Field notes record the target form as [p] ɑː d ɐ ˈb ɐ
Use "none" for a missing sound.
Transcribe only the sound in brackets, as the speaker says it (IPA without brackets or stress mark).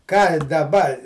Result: k